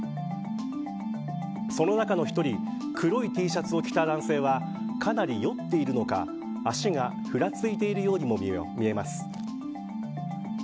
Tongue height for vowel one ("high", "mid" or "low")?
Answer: mid